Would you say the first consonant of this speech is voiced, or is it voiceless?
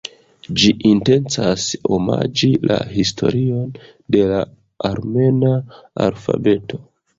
voiced